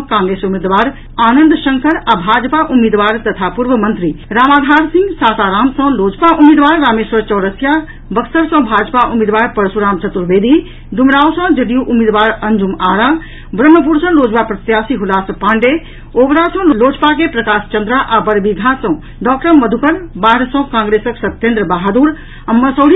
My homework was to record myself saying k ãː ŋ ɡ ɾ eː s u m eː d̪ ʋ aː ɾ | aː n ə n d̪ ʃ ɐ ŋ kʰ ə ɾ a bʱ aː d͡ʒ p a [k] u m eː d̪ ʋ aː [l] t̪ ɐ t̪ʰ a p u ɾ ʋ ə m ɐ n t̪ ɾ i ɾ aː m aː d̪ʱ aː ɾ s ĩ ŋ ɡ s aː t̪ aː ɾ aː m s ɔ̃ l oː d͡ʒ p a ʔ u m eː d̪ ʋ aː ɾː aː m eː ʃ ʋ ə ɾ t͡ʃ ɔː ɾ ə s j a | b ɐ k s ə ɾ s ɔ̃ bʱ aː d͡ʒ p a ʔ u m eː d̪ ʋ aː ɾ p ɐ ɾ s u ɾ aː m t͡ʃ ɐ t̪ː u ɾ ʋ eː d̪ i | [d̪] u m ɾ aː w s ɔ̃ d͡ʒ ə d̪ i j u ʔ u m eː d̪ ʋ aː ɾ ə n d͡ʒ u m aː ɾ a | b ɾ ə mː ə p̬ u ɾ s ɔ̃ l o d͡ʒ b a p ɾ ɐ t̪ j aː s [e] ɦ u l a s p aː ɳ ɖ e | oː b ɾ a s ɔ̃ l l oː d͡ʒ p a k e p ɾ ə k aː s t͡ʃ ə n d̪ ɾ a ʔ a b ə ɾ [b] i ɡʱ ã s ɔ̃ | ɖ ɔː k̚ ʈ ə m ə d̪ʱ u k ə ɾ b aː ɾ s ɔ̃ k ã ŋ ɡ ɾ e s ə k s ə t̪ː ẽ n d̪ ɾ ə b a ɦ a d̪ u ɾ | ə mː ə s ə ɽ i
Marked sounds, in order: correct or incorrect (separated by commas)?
incorrect, incorrect, correct, incorrect, correct